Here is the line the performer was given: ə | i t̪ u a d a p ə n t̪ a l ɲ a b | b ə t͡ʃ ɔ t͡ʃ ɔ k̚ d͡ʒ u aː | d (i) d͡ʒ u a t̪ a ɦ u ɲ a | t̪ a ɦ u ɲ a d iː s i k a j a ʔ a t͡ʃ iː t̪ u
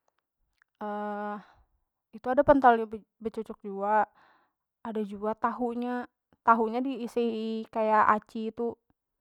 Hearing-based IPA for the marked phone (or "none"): a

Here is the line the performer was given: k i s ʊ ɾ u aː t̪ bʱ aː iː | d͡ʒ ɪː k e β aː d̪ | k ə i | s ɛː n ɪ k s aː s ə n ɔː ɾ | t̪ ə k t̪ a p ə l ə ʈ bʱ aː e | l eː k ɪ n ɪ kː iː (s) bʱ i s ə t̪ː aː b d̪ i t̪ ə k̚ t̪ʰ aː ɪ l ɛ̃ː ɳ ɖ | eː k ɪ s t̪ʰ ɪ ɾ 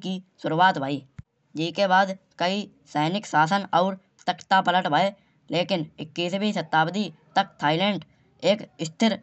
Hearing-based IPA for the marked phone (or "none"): s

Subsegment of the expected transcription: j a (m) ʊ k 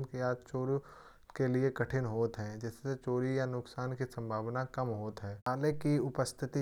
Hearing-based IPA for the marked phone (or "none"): n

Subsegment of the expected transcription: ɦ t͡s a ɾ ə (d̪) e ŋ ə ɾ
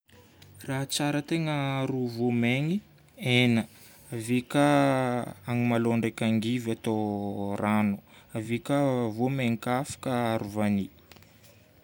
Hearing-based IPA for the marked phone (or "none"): t̪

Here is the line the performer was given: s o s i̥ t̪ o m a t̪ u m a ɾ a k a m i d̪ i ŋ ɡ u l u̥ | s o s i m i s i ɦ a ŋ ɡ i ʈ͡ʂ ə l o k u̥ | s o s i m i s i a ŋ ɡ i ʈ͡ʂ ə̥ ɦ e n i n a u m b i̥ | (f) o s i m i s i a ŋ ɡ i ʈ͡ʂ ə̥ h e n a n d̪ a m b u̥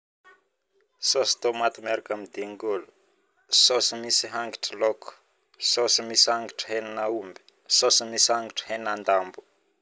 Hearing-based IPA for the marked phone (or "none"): s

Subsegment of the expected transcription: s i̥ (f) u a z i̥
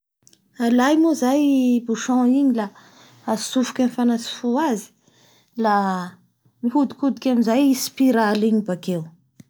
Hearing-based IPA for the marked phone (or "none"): f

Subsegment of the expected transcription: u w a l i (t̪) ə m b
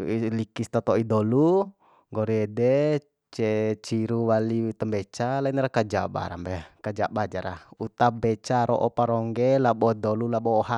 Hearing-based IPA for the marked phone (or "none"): t̪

